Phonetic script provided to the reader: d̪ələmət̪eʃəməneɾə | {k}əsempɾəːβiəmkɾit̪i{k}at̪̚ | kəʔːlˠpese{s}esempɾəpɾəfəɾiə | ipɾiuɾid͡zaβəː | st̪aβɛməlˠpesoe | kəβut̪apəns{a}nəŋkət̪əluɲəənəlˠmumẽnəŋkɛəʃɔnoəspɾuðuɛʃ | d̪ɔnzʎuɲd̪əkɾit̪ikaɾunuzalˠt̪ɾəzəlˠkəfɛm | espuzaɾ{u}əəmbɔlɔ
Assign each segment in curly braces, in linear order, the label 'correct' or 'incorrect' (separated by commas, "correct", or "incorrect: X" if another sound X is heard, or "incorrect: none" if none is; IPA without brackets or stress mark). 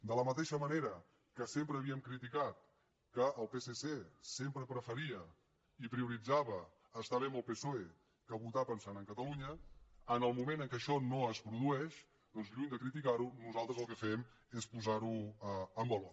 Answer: correct, correct, correct, correct, correct